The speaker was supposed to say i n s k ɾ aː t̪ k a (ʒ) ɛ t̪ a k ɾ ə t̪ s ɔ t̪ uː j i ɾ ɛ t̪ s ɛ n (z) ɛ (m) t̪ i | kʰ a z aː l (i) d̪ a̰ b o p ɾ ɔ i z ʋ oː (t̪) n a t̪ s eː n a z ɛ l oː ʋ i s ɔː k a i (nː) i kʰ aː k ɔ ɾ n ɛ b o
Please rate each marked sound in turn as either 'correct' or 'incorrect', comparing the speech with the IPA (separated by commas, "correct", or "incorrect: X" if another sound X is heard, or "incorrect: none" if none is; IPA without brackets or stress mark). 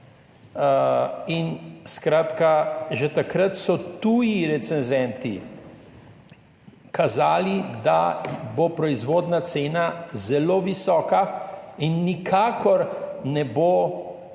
correct, correct, incorrect: n, correct, incorrect: d̪, correct